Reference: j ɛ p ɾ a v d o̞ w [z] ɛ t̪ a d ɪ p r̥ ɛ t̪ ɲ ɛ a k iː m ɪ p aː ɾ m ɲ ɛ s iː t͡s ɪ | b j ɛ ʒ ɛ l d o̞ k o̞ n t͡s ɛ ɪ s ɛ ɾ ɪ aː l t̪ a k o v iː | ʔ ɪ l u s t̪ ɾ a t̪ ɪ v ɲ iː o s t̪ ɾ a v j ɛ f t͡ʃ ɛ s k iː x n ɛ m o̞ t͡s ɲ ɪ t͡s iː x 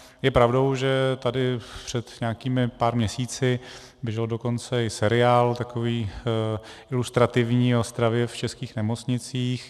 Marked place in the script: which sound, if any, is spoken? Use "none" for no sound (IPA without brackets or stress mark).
ʒ